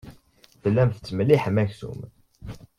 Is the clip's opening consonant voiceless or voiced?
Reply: voiceless